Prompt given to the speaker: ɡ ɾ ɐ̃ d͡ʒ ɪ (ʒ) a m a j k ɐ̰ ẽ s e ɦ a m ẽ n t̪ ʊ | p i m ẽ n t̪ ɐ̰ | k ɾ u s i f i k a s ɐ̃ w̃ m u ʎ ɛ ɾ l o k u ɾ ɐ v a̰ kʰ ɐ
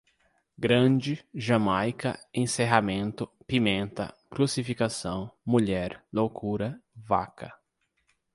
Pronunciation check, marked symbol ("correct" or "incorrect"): correct